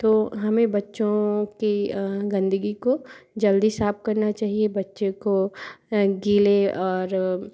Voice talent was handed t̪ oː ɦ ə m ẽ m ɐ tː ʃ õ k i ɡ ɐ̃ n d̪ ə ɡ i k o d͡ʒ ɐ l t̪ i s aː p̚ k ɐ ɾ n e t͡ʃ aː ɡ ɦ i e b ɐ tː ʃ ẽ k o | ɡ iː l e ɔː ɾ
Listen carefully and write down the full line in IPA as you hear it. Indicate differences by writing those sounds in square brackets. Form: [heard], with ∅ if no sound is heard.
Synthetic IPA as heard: t̪ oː ɦ [ɐ] m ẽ [b] ɐ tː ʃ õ k i ɡ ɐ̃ n d̪ ə ɡ i k o d͡ʒ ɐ l [d̪] i s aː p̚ k ɐ ɾ n [a] t͡ʃ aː [∅] ɦ i e b ɐ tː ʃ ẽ k o | ɡ iː l e ɔː ɾ